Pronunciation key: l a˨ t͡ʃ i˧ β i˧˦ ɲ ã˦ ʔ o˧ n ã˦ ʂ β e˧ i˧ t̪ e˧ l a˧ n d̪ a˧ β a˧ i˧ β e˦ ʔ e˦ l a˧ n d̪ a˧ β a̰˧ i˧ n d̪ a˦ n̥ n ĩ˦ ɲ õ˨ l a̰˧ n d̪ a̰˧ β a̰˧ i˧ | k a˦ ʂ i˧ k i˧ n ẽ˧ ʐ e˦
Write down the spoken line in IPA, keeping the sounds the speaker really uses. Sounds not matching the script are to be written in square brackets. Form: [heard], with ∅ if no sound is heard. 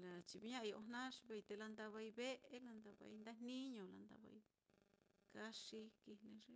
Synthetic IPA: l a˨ t͡ʃ i˧ β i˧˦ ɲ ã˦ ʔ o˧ n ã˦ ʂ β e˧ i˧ t̪ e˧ l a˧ n d̪ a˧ β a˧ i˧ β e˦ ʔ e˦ l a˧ n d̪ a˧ β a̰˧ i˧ n d̪ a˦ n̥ n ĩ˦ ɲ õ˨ l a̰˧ n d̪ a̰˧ β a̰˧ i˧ | k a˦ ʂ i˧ k i˧ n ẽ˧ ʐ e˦